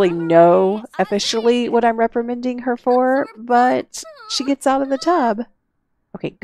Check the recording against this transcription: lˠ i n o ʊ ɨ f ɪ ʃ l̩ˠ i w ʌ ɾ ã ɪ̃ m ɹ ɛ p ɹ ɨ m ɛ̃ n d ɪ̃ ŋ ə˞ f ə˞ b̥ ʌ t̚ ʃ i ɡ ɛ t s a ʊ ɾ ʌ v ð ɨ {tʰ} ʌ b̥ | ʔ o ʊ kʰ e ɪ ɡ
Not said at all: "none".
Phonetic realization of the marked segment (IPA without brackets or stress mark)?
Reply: tʰ